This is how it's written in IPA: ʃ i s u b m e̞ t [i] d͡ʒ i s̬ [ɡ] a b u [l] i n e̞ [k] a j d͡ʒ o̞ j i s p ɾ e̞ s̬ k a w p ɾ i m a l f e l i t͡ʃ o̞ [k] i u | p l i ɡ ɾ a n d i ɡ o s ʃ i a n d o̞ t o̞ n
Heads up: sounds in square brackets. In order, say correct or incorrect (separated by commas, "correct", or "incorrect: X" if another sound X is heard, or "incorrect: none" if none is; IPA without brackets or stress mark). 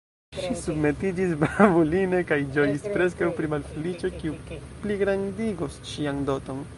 correct, incorrect: b, correct, correct, correct